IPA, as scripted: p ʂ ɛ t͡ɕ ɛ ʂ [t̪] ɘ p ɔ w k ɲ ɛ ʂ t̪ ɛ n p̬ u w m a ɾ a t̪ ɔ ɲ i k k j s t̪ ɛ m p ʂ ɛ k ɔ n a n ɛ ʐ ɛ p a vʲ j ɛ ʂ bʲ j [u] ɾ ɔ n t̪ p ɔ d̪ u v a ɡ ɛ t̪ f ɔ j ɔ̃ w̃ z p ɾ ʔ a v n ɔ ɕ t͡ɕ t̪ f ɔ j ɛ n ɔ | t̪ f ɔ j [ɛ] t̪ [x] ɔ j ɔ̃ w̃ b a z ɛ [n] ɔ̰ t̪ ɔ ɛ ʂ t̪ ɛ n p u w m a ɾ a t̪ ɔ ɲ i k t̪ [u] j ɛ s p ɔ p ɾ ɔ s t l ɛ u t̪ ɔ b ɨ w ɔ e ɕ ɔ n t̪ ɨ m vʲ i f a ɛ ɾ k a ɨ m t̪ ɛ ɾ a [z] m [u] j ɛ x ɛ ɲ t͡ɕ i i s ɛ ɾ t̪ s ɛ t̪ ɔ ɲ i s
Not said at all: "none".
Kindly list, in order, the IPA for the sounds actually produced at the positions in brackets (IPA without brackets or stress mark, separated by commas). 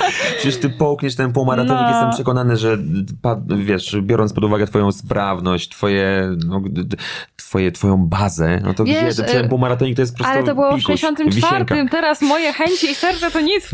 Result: t̪, ɔ, ɛ, f, n, ɔ, s, ɔ